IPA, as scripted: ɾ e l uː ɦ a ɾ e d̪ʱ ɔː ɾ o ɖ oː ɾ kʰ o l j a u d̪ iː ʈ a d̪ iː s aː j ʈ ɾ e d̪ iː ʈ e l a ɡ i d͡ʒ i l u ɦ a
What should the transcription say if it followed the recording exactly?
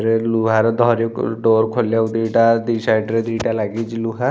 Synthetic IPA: ɾ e l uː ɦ a ɾ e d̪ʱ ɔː ɾ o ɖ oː ɾ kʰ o l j a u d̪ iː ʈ a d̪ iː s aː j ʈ ɾ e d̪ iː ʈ a l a ɡ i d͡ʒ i l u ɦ a